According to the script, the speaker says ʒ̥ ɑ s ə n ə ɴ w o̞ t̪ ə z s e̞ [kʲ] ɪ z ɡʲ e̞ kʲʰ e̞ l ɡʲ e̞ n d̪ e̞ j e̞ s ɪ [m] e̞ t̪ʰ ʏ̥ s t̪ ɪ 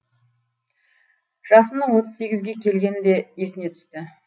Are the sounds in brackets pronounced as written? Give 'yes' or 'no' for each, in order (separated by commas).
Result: no, no